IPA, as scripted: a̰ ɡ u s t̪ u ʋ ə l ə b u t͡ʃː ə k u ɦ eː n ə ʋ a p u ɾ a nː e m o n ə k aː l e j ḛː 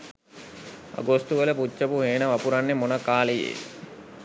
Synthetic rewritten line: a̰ ɡ o s t̪ u ʋ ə l ə p u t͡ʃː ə p u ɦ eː n ə ʋ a p u ɾ a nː e m o n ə k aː l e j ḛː

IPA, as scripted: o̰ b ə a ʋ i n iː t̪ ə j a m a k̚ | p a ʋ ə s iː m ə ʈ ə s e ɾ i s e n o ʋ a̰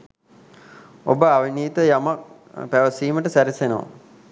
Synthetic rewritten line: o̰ b ə a ʋ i n iː t̪ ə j a m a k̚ | p æ ʋ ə s iː m ə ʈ ə s æ ɾ i s e n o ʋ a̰

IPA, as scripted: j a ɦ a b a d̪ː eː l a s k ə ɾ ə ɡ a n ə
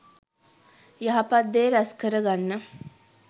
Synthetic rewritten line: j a ɦ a p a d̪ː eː ɾ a s k ə ɾ ə ɡ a nː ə

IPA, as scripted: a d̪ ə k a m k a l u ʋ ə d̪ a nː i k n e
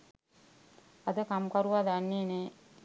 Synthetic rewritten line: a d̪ ə k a m k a ɾ u ʋ a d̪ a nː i n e

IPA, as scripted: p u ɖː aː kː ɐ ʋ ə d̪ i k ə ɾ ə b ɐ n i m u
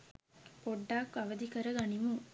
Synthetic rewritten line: p o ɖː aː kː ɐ ʋ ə d̪ i k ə ɾ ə ɡ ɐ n i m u

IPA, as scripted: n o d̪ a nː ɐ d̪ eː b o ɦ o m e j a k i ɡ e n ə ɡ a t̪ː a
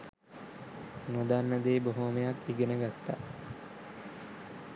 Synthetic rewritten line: n o d̪ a nː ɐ d̪ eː b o ɦ o m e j a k i ɡ e n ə ɡ a t̪ː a

